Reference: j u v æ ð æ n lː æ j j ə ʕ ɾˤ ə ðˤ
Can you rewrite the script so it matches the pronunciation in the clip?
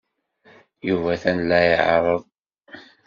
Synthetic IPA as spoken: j u v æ θ æ n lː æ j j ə ʕ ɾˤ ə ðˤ